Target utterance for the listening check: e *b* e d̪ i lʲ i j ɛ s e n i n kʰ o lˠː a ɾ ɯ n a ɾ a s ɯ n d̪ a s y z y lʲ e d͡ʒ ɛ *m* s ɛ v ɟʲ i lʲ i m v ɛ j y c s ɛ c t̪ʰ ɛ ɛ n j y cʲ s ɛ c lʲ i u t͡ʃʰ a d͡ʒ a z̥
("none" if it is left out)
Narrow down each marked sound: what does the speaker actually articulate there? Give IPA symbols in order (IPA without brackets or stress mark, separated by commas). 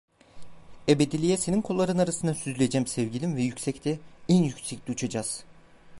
b, m